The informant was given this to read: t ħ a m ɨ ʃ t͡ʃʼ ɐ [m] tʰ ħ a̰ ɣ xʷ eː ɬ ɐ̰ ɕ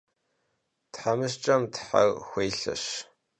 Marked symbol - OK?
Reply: yes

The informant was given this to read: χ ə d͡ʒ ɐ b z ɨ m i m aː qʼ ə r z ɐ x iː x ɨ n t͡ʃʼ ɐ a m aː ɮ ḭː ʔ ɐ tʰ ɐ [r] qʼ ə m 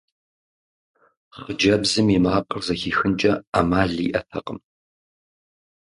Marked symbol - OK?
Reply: no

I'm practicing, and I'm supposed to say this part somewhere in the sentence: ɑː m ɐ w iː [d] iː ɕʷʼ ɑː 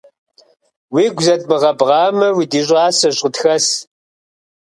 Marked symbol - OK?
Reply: yes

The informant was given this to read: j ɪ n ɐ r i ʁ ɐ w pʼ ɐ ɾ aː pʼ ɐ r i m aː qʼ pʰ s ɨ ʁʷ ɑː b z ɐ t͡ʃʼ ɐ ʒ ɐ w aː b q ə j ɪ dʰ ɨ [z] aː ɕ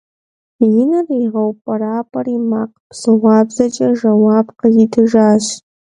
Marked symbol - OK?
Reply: no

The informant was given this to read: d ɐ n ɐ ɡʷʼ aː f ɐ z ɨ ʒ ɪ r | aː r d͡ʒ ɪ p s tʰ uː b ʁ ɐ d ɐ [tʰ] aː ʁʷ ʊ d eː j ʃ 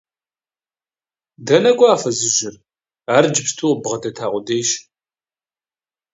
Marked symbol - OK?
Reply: yes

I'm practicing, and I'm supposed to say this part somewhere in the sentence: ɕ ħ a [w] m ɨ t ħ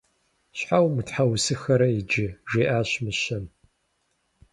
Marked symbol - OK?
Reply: yes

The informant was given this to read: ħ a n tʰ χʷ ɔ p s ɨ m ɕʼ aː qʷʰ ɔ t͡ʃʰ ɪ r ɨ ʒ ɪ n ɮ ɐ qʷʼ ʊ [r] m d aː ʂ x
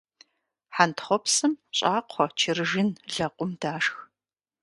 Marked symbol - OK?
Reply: no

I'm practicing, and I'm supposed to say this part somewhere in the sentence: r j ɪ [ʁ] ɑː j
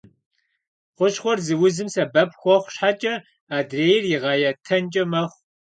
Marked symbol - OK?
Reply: yes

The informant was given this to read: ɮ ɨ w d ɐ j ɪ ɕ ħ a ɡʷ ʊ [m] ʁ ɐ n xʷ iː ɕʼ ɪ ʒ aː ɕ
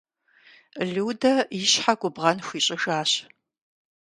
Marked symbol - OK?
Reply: no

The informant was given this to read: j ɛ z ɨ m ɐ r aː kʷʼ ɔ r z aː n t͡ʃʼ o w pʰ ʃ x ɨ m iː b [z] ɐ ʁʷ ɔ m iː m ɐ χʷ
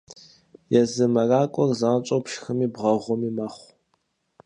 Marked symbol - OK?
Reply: no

